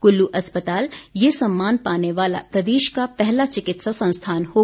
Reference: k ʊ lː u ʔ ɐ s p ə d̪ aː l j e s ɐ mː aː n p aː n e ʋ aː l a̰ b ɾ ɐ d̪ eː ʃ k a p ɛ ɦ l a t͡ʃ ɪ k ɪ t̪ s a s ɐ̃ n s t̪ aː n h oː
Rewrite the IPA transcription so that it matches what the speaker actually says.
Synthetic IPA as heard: k ʊ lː u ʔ ɐ s p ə t̪ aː l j e s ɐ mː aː n p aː n e ʋ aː l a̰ p ɾ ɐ d̪ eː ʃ k a p ɛ ɦ l a t͡ʃ ɪ k ɪ t̪ s a s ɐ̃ n s t̪ʰ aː n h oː